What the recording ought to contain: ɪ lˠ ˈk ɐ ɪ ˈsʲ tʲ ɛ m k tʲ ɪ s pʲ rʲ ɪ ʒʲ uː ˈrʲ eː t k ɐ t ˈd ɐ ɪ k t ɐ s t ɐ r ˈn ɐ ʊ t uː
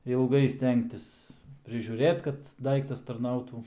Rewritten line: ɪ lˠ ˈɡ ɐ ɪ ˈsʲ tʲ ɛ ŋ k tʲ ɪ s pʲ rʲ ɪ ʒʲ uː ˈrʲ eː t k ɐ t ˈd ɐ ɪ k t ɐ s t ɐ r ˈn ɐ ʊ t uː